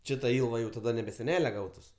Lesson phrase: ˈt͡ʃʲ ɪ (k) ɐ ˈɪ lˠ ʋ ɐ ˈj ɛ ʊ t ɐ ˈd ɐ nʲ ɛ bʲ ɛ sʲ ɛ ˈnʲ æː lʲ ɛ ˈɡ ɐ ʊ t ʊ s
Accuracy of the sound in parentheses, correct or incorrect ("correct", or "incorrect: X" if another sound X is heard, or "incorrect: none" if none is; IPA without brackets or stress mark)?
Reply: incorrect: t